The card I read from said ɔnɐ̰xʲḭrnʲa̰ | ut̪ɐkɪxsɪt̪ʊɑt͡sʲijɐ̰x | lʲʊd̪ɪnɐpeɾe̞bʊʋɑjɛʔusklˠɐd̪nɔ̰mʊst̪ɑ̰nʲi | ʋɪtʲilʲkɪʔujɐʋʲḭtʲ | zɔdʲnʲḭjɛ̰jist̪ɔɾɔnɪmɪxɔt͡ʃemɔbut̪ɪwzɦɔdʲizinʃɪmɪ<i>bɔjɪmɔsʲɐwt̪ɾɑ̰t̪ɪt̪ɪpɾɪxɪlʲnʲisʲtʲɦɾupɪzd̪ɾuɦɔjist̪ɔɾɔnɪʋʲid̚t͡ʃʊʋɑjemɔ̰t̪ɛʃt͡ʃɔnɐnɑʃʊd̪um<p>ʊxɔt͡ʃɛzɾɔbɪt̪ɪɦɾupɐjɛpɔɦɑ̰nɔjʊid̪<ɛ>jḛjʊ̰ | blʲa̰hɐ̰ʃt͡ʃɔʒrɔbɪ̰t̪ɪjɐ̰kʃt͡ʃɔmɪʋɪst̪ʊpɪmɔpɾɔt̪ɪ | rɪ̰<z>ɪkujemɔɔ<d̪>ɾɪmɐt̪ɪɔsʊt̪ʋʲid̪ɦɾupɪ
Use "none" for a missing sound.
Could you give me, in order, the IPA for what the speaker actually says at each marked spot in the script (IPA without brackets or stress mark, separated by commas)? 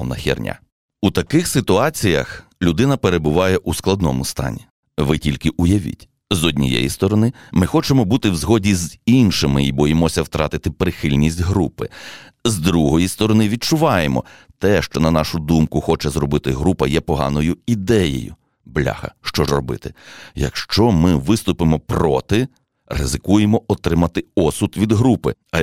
i, k, ɛ, z, t̪